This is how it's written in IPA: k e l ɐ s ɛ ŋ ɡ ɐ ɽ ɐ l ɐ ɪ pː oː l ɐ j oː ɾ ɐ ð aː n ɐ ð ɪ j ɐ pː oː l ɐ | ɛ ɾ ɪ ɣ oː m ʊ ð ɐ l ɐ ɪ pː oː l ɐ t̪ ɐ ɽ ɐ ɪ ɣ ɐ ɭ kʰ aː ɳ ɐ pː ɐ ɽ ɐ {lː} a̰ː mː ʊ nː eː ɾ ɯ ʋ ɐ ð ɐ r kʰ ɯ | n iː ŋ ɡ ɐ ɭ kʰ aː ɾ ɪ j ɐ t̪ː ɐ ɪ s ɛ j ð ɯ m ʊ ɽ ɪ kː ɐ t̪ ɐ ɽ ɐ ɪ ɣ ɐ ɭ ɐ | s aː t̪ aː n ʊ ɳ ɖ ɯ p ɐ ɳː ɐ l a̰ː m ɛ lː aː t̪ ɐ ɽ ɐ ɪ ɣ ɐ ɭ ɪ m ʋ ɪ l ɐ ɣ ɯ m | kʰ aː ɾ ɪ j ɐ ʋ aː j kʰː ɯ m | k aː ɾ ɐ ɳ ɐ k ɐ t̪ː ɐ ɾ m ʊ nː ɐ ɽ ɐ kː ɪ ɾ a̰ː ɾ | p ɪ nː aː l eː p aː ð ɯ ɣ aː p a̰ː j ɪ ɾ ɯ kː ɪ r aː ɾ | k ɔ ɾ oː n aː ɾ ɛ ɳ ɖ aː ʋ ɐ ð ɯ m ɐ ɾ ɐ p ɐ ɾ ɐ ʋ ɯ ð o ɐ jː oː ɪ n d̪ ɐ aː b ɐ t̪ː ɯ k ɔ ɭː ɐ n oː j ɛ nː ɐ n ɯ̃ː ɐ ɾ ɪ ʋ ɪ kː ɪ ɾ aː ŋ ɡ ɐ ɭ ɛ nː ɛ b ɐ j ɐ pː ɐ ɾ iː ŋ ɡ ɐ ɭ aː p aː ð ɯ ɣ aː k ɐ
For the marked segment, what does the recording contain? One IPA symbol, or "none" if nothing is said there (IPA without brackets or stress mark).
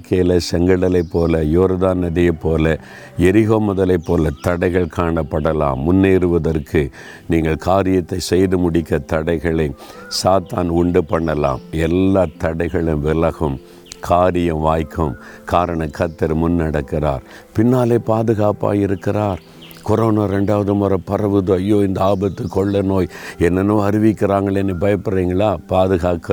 l